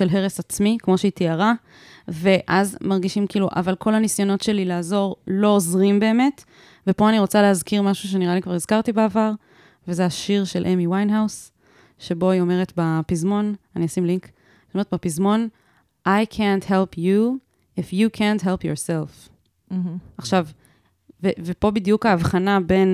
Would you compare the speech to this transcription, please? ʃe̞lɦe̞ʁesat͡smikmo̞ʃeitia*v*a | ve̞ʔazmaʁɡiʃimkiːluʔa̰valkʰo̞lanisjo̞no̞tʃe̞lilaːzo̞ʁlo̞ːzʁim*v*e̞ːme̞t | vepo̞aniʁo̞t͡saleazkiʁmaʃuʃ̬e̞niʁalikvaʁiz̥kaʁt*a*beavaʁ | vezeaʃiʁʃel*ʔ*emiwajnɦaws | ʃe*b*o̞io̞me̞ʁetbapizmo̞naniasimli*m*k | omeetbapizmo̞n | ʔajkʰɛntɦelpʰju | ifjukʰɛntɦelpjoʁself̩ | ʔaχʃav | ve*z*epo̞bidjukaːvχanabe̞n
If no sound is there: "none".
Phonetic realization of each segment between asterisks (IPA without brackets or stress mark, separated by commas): ʁ, b, i, ʔ, b, ŋ, v